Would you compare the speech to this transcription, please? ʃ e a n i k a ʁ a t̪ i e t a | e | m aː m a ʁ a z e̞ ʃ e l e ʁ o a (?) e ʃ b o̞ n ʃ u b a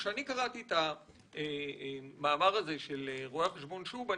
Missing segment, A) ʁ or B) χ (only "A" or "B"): B